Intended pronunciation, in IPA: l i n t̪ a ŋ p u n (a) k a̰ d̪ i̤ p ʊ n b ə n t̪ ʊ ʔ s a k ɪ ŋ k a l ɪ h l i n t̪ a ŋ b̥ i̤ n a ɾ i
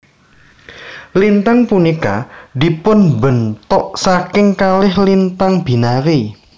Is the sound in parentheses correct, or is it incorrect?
incorrect